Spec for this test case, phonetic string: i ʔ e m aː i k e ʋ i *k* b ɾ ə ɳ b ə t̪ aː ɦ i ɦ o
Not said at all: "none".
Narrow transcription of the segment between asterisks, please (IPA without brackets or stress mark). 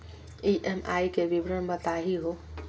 none